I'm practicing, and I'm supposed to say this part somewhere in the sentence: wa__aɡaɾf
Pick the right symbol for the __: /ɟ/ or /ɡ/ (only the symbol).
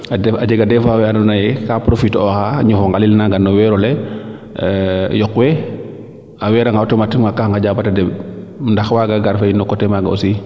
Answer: ɡ